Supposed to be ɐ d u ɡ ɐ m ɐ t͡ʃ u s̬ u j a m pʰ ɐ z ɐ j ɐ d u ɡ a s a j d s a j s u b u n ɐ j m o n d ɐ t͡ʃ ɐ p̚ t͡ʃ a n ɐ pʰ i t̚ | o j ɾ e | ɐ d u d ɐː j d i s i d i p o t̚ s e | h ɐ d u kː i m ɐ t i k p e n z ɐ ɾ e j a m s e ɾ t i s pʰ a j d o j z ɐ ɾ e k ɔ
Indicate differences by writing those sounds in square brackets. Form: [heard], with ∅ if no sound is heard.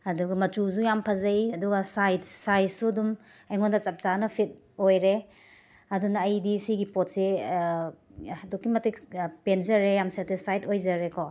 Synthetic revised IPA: ɐ d u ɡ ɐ m ɐ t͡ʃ u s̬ u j a m pʰ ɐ z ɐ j ɐ d u ɡ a s a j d s a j s u [d] u [m] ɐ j [ŋ] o n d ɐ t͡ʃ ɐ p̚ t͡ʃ a n ɐ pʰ i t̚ | o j ɾ e | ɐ d u [n] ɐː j d i s i [ɡ] i p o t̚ s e | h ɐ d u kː i m ɐ t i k p e n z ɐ ɾ e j a m s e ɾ t i s pʰ a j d o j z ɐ ɾ e k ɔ